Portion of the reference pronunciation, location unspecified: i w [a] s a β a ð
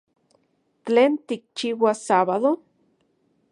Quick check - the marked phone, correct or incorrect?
correct